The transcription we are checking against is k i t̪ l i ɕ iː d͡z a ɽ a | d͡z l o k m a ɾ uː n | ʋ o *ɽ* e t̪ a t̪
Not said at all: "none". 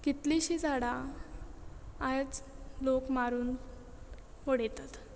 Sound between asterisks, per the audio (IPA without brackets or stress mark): ɽ